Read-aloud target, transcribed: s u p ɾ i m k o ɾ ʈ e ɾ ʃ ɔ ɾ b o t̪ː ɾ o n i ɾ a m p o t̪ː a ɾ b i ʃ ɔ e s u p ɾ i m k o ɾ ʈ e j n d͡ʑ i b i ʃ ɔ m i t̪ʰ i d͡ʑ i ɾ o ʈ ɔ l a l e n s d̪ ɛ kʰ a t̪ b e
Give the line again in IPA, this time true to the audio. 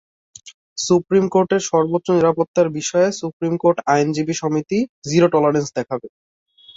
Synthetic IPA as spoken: s u p ɾ i m k o ɾ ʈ e ɾ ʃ ɔ ɾ b o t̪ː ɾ o n i ɾ a p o t̪ː a ɾ b i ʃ ɔ e s u p ɾ i m k o ɾ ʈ a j n d͡ʑ i b i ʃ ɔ m i t̪ i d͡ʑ i ɾ o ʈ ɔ l a ɾ e n s d̪ ɛ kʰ a b e